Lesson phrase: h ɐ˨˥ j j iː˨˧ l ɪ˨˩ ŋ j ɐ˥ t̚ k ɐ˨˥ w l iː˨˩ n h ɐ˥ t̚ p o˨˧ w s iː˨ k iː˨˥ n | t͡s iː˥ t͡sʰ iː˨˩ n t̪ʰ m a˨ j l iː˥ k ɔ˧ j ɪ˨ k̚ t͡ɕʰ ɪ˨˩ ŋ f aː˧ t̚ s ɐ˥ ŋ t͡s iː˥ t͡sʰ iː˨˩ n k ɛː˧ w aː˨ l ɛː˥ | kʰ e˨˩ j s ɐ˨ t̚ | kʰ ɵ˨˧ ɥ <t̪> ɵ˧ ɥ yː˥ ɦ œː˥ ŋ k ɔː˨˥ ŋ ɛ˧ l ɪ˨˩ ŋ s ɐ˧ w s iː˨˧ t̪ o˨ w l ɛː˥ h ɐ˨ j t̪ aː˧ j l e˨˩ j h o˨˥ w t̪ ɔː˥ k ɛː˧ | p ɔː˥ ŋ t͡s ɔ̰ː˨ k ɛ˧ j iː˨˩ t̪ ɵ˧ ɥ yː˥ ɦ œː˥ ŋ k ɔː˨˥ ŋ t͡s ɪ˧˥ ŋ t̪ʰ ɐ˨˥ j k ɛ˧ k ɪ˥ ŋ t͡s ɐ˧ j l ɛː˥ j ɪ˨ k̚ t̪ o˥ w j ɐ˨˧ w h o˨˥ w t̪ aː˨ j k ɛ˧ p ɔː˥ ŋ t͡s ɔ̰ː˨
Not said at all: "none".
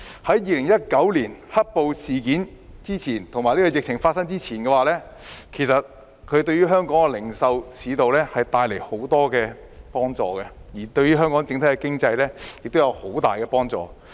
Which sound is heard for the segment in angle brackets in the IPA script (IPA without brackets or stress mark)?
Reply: t̪